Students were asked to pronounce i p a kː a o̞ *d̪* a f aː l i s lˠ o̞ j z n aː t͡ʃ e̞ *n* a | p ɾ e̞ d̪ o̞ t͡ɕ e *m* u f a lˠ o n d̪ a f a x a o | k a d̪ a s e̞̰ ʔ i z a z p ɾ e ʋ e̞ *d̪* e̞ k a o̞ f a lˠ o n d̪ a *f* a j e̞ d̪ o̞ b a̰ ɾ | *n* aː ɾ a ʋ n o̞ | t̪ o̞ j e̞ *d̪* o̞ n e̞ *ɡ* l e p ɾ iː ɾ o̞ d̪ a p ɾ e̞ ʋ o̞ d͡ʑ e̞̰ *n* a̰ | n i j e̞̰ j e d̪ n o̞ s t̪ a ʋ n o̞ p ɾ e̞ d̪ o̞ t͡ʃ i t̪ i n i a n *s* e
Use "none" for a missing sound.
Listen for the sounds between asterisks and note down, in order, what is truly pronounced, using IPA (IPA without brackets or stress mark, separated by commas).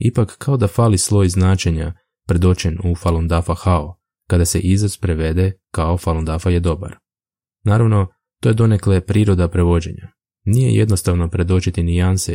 d̪, ɲ, n, d̪, f, n, d̪, k, ɲ, s